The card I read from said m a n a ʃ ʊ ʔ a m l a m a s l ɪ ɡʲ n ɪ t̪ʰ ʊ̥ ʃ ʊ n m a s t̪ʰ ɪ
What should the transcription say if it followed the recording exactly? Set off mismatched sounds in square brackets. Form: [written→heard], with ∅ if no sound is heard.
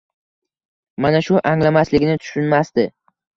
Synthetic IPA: m a n a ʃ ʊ ʔ a [m→ŋ] l a m a s l ɪ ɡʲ n ɪ t̪ʰ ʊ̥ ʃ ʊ n m a s [t̪ʰ→t̪] ɪ